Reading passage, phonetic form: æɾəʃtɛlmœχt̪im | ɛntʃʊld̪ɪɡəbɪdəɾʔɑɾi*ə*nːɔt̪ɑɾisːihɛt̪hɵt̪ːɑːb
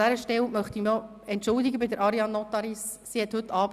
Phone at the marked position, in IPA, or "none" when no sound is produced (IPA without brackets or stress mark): ɑ